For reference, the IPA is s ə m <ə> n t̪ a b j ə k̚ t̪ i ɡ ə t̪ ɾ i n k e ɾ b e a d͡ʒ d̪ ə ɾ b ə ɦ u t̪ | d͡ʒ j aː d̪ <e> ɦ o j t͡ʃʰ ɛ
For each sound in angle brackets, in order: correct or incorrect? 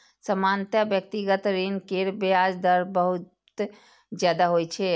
incorrect: a, incorrect: a

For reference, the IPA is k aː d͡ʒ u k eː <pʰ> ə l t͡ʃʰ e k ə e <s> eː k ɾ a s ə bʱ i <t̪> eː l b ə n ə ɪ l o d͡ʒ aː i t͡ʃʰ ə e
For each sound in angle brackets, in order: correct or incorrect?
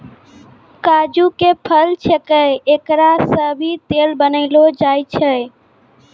correct, incorrect: none, correct

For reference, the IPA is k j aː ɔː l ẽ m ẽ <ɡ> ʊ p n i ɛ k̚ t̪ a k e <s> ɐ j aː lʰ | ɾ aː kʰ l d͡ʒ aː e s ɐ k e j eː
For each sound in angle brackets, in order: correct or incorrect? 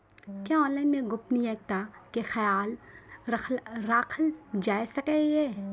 correct, incorrect: x

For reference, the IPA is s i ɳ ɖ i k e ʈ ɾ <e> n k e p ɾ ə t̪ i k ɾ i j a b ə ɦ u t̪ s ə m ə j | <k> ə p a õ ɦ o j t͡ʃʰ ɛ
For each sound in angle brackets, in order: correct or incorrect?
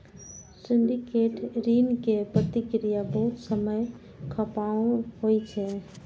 incorrect: i, incorrect: kʰ

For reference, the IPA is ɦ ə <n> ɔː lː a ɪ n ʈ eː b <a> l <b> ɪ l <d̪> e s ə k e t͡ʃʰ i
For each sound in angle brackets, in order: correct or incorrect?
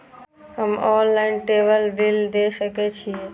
incorrect: m, incorrect: ə, correct, correct

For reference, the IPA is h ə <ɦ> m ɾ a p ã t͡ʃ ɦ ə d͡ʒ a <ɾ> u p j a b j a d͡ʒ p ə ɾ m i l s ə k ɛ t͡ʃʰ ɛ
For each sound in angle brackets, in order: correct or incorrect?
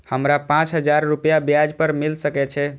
incorrect: none, incorrect: ɾː

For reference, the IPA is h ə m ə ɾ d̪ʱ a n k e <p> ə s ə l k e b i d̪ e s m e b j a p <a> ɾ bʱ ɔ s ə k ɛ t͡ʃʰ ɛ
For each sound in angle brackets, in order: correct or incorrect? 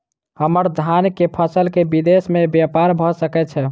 incorrect: pʰ, correct

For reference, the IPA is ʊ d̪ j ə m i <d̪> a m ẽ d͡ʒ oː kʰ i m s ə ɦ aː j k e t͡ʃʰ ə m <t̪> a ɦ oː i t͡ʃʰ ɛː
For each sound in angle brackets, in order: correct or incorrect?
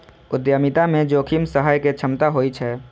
incorrect: t̪, correct

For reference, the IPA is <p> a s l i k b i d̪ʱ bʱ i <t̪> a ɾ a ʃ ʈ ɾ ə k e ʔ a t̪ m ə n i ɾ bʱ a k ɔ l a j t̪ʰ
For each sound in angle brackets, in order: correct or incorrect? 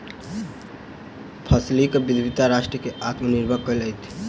incorrect: pʰ, correct

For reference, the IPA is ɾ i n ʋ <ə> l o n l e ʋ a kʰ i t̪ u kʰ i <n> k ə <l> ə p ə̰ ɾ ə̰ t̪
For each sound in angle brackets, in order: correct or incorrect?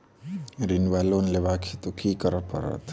incorrect: a, incorrect: none, incorrect: ɾ

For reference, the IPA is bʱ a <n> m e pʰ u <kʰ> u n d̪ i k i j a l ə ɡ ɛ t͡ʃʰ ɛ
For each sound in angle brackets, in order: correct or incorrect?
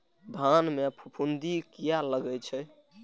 correct, incorrect: pʰ

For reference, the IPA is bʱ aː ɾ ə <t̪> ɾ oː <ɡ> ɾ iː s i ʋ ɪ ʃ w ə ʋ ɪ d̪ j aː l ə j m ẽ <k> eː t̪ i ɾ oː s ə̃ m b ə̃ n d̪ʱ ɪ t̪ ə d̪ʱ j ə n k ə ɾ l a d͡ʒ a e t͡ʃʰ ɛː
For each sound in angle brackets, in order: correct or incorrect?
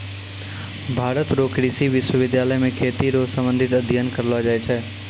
correct, incorrect: k, incorrect: kʰ

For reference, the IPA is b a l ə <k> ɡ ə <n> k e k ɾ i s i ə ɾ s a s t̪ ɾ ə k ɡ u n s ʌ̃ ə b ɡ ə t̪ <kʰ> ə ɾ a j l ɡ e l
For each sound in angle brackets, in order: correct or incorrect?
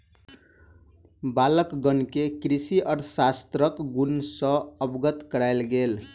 correct, correct, incorrect: k

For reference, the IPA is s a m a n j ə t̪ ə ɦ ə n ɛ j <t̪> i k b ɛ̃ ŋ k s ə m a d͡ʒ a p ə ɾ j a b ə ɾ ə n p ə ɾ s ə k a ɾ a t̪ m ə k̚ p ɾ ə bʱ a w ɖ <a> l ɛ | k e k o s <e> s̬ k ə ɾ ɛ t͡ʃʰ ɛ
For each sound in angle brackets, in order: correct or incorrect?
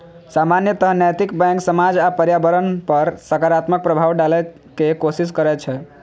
correct, correct, incorrect: i

